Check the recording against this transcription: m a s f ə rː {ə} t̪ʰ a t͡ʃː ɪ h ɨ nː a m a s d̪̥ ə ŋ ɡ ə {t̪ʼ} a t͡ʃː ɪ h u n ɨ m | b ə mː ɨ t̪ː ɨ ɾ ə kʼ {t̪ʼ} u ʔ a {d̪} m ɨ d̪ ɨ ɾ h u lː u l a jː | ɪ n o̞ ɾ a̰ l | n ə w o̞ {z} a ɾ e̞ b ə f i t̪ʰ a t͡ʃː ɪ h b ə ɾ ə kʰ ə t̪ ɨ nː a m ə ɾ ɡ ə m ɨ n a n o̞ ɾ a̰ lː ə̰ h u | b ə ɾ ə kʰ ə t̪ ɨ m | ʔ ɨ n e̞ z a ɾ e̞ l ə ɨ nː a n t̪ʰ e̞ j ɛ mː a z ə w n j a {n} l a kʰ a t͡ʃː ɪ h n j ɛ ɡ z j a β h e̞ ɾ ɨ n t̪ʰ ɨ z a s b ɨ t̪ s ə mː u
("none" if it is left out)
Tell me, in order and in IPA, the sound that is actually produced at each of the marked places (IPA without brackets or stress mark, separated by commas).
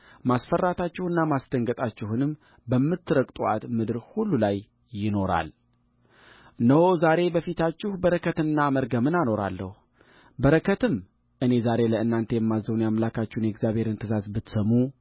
a, t̪ʼ, t̪ʼ, t̪, z, m